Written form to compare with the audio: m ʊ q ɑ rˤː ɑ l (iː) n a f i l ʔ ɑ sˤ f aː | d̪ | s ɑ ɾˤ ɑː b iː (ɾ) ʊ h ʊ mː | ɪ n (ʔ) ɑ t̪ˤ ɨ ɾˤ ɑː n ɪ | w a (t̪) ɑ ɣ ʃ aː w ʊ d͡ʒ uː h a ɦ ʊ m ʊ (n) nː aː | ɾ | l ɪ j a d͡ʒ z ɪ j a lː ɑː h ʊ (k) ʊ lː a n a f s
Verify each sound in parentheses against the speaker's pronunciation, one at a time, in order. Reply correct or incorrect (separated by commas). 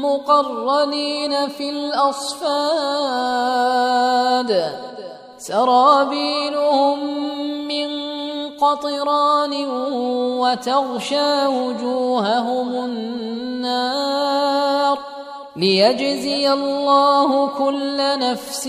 correct, incorrect, incorrect, correct, correct, correct